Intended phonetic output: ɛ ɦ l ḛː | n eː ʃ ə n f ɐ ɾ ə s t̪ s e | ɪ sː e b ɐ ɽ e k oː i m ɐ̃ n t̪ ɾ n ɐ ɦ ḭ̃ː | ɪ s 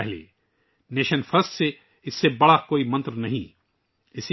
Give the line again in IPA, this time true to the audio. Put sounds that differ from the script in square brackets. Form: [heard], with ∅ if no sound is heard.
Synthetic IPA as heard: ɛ ɦ l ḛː | n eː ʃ ə n f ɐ ɾ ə s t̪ s e | ɪ sː e b ɐ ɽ [a] k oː i m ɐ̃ n t̪ ɾ n ɐ ɦ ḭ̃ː | ɪ s